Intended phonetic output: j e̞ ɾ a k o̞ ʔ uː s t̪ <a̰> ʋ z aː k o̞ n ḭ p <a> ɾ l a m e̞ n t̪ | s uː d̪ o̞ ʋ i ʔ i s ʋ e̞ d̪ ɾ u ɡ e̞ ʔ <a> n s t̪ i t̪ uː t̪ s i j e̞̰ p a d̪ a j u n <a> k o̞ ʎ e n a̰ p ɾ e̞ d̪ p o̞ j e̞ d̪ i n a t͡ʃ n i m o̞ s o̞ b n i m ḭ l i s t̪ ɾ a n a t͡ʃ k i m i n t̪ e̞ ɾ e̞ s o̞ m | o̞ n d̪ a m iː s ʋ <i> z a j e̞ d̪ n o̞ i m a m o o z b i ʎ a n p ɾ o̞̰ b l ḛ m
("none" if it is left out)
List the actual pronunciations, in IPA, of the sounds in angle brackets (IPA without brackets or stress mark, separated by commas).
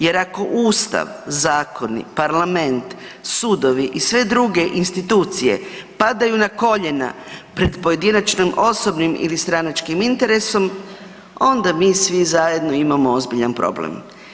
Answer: a̰, a, i, a, i